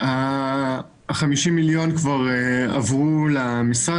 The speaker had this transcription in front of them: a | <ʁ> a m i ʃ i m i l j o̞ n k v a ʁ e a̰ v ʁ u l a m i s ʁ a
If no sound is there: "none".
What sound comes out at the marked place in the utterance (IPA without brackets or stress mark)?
χ